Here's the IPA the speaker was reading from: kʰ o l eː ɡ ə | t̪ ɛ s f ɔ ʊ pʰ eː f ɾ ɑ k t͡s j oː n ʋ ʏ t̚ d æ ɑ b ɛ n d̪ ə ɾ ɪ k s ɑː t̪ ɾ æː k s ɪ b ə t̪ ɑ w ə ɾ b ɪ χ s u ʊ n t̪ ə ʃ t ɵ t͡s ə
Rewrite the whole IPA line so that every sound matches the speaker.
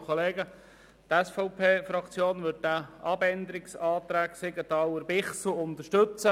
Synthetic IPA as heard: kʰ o l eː ɡ ə | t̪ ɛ s f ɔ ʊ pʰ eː f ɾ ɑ k t͡s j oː n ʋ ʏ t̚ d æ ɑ b ɛ n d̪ ə ɾ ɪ k s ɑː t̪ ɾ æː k s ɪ ɡ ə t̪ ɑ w ə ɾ b ɪ χ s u ʊ n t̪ ə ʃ t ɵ t͡s ə